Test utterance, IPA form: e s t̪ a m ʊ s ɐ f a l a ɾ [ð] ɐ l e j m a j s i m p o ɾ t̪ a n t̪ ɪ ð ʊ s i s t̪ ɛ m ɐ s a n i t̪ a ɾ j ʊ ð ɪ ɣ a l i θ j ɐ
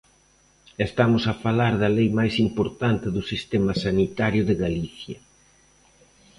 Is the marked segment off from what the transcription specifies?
no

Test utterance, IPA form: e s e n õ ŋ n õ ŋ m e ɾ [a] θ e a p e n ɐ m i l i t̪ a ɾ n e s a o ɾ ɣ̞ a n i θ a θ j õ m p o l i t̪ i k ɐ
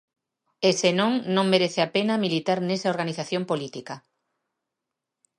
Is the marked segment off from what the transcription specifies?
yes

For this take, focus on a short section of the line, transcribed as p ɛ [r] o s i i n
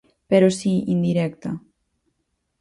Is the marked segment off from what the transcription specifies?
yes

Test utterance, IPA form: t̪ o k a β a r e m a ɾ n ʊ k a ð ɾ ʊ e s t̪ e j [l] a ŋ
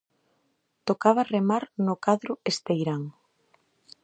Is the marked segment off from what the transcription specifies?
yes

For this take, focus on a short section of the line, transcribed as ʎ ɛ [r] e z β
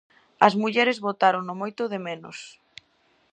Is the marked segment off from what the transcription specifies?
yes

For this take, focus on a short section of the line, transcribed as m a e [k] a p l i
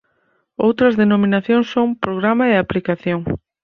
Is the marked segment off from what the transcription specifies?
yes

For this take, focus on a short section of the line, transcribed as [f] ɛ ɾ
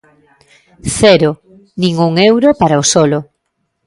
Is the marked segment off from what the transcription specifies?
yes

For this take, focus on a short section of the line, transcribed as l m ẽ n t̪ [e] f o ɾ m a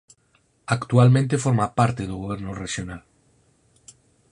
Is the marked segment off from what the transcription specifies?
no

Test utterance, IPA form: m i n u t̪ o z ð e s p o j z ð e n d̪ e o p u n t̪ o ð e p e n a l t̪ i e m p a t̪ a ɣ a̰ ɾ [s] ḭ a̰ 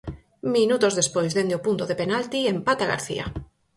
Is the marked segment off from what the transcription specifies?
yes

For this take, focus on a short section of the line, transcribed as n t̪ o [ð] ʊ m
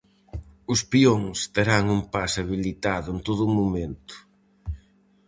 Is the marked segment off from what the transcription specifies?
no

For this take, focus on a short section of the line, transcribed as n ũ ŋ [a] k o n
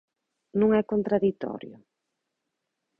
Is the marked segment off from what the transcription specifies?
yes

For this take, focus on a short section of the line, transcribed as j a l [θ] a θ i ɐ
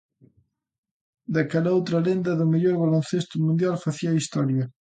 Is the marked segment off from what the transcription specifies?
yes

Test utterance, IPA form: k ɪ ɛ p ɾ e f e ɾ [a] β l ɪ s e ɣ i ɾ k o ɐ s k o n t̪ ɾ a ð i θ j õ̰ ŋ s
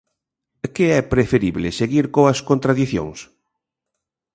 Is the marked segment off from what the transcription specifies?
yes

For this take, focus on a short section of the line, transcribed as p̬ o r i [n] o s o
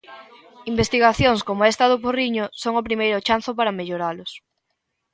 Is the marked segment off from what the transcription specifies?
yes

